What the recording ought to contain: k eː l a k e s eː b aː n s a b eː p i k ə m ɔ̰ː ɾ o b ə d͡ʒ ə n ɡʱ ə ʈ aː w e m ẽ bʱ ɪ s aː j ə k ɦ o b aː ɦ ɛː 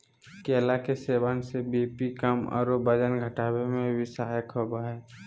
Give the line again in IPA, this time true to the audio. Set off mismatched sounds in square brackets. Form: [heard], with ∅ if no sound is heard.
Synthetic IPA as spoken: k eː l a k e s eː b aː n s [e] b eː p i k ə m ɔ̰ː ɾ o b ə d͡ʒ ə n ɡʱ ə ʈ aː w e m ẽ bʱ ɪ s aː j ə k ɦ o b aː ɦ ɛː